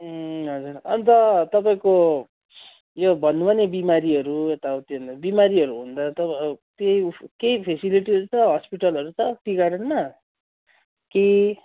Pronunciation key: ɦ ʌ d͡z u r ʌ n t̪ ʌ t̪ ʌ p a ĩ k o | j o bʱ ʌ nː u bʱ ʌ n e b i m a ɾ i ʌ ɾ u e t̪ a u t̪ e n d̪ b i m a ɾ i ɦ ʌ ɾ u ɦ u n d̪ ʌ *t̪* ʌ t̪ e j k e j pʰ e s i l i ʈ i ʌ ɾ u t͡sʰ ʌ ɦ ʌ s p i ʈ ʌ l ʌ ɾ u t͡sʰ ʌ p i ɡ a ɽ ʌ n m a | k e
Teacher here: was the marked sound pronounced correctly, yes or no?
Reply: yes